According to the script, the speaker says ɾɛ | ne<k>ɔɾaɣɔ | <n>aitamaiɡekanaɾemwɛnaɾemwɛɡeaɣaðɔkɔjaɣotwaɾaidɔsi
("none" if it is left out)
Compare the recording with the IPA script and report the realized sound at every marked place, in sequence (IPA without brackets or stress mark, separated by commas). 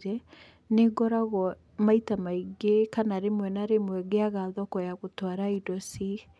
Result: ɡ, m